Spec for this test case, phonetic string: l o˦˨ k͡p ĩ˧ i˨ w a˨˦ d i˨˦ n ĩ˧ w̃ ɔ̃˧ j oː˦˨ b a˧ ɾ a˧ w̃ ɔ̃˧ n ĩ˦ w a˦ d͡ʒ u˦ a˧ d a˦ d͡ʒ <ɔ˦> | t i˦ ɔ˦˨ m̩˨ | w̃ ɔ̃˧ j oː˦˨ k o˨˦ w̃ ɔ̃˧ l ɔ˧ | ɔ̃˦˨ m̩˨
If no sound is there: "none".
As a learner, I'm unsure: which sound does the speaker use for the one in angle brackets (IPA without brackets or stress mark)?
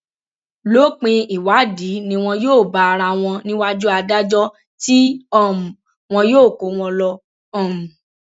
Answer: ɔ˦